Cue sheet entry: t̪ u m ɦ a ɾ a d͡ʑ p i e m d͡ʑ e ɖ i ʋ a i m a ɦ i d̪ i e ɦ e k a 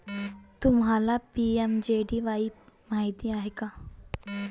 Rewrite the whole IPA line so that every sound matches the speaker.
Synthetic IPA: t̪ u m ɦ a l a p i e m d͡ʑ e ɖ i ʋ a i m a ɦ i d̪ i a ɦ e k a

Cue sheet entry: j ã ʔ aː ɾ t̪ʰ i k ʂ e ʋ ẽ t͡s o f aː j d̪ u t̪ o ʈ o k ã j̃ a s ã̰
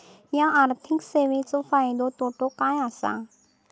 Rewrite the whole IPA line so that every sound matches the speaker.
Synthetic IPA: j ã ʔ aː ɾ t̪ʰ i k s e ʋ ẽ t͡s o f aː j d̪ o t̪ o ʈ o k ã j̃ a s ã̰

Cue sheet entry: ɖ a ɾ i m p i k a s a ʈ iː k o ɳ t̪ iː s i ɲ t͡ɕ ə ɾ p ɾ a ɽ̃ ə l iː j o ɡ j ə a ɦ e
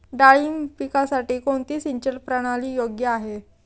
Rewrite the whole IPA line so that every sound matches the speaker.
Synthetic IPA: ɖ a ɭ i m p i k a s a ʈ iː k o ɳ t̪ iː s i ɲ t͡ɕ ə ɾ p ɾ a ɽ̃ a l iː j o ɡ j ə a ɦ e

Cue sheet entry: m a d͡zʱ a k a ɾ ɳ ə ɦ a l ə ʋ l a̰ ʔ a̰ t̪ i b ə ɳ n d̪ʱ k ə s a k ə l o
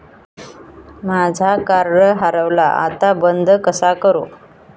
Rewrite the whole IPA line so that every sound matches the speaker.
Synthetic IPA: m a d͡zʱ a k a ɾ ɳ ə ɦ a ɾ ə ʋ l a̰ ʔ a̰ t̪ a b ə n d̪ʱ k ə s a k ə ɾ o

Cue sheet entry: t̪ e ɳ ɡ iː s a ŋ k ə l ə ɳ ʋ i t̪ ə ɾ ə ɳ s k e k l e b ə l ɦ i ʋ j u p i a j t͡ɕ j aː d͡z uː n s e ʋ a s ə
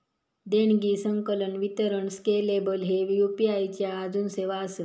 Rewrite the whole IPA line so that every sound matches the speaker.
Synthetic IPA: d̪ e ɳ ɡ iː s ə ŋ k ə l ə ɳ ʋ i t̪ ə ɾ ə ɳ s k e l e b ə l ɦ e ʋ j u p i a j t͡ɕ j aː d͡z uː n s e ʋ a s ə

